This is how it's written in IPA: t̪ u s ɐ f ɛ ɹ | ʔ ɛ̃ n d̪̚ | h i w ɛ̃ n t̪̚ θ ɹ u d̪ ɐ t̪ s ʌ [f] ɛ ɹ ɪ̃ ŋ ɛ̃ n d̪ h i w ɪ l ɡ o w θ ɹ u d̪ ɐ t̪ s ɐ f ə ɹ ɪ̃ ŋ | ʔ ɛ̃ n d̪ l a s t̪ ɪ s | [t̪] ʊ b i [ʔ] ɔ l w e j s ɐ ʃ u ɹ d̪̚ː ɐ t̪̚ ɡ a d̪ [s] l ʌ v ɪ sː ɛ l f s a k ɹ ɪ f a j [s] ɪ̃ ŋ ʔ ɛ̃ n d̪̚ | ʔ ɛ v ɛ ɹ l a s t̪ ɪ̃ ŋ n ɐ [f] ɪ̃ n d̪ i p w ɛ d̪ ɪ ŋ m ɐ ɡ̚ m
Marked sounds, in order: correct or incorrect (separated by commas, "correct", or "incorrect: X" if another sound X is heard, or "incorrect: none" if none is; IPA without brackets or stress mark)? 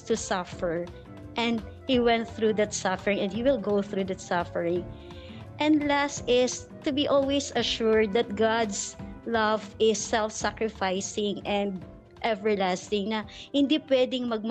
correct, correct, correct, correct, correct, incorrect: h